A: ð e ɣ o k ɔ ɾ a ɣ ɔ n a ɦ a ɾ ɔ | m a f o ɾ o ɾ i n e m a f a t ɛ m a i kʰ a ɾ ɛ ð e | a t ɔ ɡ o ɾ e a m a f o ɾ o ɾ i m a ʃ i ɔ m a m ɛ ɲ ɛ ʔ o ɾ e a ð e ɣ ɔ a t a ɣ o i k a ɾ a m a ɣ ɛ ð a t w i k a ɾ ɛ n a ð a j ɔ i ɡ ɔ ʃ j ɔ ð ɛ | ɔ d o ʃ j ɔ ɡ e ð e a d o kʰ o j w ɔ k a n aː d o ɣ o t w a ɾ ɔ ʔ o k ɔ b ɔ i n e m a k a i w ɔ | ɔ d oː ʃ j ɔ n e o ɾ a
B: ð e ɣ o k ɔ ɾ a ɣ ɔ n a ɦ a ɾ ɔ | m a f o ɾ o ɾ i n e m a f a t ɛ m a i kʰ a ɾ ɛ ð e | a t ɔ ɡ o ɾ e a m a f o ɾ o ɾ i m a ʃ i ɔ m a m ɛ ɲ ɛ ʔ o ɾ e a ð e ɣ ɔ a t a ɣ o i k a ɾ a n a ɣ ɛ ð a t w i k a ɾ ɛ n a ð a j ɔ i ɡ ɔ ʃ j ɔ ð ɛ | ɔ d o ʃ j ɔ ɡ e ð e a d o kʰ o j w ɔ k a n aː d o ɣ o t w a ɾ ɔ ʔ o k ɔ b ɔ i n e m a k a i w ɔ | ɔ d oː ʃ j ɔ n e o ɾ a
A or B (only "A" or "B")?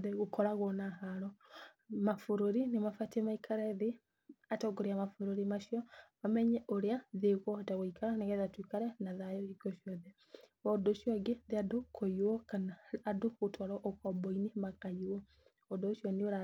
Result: B